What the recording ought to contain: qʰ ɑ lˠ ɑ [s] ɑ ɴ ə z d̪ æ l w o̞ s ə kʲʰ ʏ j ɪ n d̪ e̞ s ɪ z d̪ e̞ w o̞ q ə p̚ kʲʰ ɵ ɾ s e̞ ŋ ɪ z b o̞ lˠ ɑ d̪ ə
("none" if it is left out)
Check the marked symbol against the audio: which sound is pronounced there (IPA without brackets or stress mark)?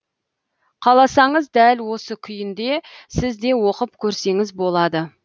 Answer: s